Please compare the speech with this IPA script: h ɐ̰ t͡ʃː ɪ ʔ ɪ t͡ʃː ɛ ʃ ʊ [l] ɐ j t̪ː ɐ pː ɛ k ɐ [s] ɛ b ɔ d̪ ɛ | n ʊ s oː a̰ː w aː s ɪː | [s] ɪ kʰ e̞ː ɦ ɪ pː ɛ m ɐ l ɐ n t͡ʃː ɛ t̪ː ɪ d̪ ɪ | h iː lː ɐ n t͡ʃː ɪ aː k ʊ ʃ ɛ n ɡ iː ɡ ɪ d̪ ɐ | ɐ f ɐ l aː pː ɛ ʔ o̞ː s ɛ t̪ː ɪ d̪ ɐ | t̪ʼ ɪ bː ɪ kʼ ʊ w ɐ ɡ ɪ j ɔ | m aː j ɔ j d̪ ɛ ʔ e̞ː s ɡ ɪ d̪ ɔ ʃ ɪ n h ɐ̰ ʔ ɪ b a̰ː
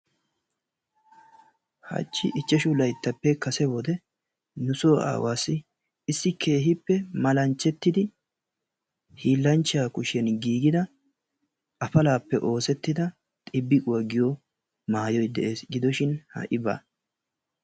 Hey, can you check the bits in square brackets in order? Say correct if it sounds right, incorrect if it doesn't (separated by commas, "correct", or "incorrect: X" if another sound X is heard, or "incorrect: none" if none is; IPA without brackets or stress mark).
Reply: correct, correct, incorrect: sː